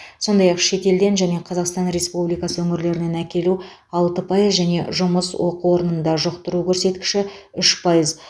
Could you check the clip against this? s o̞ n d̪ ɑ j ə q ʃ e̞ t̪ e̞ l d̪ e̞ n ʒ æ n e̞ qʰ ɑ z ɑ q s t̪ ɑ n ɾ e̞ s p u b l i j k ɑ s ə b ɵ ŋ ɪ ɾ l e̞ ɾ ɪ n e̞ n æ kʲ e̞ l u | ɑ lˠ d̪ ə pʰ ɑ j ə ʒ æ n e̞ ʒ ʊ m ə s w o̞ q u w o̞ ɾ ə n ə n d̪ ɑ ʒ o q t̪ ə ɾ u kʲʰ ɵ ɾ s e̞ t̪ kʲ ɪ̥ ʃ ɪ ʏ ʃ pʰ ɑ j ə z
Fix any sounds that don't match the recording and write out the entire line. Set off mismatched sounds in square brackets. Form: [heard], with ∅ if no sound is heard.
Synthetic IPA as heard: s o̞ n d̪ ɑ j [ɑ] q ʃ e̞ t̪ e̞ l d̪ e̞ n ʒ æ n e̞ qʰ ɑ z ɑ q s t̪ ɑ n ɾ e̞ s p u b l i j k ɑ s ə [w] ɵ ŋ ɪ ɾ l e̞ ɾ ɪ n e̞ n æ kʲ e̞ l u | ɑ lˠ [t̪] ə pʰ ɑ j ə ʒ æ n e̞ ʒ ʊ m ə s w o̞ q u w o̞ ɾ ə n ə n d̪ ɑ ʒ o q t̪ ə ɾ u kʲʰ ɵ ɾ s e̞ t̪ kʲ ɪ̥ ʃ ɪ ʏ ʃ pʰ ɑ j ə z